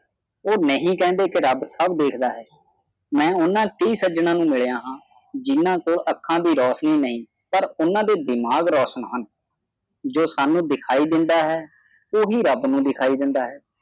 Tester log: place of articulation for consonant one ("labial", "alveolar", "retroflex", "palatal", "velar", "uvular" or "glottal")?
alveolar